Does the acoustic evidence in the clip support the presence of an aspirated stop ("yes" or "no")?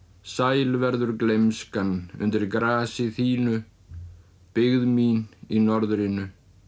no